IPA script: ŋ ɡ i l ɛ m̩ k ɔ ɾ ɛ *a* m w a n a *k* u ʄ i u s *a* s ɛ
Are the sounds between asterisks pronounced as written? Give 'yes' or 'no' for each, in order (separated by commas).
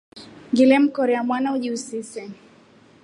yes, no, no